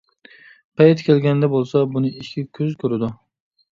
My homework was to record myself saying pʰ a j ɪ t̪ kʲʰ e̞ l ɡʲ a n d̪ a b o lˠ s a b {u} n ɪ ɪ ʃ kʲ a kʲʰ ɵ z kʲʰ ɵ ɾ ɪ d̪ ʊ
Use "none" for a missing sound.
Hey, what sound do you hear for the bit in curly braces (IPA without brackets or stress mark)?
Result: ʊ